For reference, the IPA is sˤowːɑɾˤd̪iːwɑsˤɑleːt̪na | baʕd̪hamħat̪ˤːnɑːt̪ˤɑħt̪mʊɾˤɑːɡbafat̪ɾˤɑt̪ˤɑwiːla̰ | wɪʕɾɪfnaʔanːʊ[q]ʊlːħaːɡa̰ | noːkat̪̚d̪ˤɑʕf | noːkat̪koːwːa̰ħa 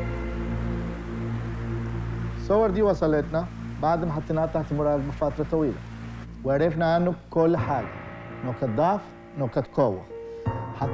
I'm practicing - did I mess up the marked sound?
yes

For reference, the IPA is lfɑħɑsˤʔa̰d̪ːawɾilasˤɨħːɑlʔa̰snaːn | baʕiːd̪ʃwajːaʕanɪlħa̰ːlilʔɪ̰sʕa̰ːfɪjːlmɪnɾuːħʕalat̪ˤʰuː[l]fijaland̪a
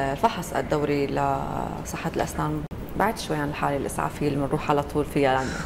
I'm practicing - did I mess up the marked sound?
no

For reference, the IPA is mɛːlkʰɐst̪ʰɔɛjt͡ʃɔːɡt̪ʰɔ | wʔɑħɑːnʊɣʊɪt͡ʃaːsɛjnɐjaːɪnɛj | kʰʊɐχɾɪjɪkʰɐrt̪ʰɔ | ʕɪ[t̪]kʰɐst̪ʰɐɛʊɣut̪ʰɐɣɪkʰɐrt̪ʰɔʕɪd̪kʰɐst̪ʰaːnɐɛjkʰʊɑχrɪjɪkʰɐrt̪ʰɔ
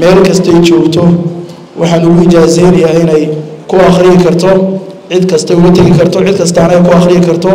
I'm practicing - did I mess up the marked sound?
yes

